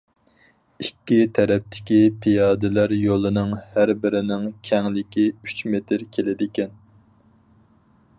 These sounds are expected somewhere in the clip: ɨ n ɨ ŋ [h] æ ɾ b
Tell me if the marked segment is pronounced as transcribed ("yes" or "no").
yes